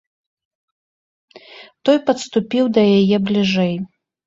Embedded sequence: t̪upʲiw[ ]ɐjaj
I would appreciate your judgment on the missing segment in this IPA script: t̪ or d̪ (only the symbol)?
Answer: d̪